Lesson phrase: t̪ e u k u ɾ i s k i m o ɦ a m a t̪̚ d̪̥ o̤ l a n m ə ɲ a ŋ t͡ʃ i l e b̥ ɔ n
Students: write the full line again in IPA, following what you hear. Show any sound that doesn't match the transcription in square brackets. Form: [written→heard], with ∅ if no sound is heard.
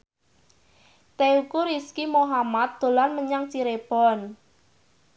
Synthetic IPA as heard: t̪ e u k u ɾ i s k i m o ɦ a m a t̪̚ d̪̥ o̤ l a n m ə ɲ a ŋ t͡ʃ i [l→ɾ] e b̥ ɔ n